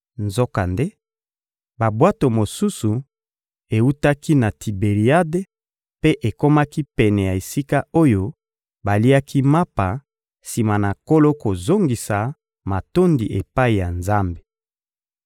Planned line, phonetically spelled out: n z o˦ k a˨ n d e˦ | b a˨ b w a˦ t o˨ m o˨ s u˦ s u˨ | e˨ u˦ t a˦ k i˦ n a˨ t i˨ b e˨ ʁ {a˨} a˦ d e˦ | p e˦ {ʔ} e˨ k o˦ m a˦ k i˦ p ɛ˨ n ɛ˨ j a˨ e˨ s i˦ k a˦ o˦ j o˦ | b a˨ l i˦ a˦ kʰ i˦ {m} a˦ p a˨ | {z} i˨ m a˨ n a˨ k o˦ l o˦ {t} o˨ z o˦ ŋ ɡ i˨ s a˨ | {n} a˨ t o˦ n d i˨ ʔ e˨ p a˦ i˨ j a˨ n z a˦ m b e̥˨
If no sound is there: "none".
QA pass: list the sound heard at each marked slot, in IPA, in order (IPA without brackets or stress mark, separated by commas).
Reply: i˨, ʔ, m, s, k, m